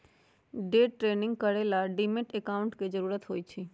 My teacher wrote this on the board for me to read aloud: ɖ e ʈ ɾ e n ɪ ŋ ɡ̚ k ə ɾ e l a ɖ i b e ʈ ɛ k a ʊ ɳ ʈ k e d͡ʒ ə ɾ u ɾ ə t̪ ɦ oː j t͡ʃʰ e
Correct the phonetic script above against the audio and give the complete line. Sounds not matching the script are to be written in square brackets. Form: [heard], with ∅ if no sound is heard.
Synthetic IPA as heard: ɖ e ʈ ɾ e n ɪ ŋ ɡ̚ k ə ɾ e l a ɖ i [m] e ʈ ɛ k a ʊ ɳ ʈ k e d͡ʒ ə ɾ u ɾ ə t̪ ɦ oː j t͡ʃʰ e